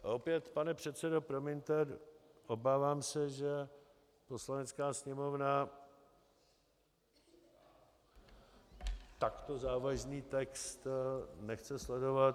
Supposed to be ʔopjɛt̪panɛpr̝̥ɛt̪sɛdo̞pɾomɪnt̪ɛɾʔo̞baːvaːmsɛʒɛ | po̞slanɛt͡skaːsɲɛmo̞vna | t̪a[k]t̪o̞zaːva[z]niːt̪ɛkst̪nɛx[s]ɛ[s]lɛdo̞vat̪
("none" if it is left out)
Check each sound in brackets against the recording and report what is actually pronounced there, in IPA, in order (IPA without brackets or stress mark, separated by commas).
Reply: k, ʒ, t͡s, s